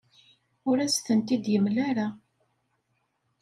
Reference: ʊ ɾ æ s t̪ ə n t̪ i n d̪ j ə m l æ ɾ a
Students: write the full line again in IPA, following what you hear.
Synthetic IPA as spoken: ʊ ɾ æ s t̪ ə n t̪ i d̪ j ə m l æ ɾ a

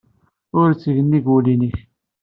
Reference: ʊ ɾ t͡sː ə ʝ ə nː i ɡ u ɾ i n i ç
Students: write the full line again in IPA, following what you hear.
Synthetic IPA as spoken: ʊ ɾ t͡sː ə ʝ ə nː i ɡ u l i n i ç

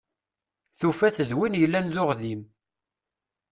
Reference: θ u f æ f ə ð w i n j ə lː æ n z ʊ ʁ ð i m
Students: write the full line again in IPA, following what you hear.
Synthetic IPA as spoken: θ u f æ θ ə ð w i n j ə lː æ n ð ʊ ʁ ð i m

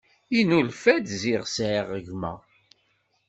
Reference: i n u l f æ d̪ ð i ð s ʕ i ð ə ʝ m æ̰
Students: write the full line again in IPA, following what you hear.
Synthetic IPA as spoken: i n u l f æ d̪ z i ʁ s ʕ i ʁ ə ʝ m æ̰

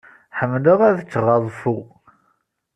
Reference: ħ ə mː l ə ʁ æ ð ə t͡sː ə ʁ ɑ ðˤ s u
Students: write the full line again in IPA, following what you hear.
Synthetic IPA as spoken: ħ ə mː l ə ʁ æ ð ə t͡sː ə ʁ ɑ ðˤ f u

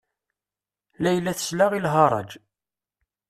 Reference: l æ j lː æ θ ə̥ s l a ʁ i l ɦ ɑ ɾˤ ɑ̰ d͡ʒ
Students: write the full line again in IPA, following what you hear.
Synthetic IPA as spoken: l æ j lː æ θ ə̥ s l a ʁ i l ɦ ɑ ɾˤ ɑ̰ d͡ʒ

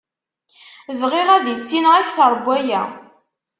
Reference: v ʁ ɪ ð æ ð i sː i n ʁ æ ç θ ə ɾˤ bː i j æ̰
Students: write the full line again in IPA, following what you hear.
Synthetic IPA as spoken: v ʁ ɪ ʁ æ ð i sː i n ʁ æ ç θ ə ɾˤ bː æ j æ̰

